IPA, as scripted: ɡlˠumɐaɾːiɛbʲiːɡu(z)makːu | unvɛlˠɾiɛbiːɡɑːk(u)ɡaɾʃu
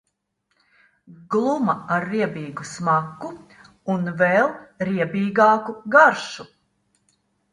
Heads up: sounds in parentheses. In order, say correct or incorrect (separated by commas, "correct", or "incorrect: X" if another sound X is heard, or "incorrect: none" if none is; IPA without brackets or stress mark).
incorrect: s, correct